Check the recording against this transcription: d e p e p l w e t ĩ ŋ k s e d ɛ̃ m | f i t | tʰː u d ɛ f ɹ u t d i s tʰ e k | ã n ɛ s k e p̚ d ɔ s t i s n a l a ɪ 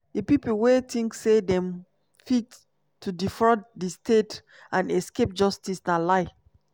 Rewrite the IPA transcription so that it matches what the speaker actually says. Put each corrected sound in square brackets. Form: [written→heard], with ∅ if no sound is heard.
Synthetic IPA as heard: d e p [e→i] p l w e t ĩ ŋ k s e d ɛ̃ m | f i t | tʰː u d [ɛ→i] f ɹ [u→ɔ] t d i s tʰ e [k→t] | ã n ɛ s k e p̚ [d→d͡ʒ] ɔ s t i s n a l a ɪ